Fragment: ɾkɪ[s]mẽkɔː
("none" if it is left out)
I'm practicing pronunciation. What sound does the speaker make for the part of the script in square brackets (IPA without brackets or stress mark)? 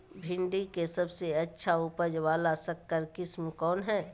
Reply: s